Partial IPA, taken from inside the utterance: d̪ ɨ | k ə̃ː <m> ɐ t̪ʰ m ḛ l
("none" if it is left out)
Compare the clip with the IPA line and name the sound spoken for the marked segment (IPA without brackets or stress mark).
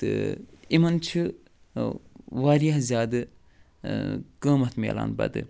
m